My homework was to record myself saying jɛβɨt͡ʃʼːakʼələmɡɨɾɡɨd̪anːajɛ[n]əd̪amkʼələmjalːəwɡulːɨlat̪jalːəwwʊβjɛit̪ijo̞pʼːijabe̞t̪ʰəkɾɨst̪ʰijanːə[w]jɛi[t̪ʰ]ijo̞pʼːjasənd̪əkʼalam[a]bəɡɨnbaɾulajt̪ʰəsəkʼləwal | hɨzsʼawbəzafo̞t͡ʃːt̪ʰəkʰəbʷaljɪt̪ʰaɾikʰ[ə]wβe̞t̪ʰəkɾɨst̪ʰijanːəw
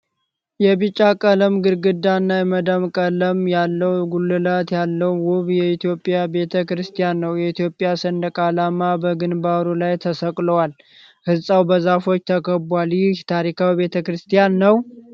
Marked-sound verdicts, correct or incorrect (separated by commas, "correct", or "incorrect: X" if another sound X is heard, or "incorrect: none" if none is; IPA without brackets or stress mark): incorrect: m, correct, incorrect: t̪, correct, incorrect: a